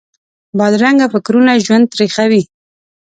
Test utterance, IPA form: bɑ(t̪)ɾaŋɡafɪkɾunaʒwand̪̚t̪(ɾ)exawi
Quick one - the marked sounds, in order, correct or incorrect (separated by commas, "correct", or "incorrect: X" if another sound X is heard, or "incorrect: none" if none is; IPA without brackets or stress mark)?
incorrect: d̪, correct